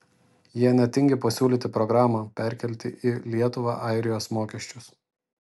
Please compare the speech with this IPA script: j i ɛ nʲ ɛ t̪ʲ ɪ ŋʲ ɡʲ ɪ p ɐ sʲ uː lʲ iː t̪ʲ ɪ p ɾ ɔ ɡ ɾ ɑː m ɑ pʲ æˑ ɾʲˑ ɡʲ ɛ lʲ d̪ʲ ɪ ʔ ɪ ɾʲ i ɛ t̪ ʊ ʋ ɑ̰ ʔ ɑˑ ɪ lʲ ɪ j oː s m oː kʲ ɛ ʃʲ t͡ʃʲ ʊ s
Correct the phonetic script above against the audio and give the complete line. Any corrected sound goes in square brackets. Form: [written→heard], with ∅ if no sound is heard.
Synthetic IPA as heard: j i ɛ nʲ ɛ t̪ʲ ɪ ŋʲ ɡʲ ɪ p ɐ sʲ uː lʲ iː t̪ʲ ɪ p ɾ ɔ ɡ ɾ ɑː m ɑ pʲ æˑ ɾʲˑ [ɡʲ→kʲ] ɛ lʲ [d̪ʲ→t̪ʲ] ɪ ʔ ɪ [ɾʲ→lʲ] i ɛ t̪ ʊ ʋ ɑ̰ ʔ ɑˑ ɪ [lʲ→ɾʲ] ɪ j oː s m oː kʲ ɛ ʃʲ t͡ʃʲ ʊ s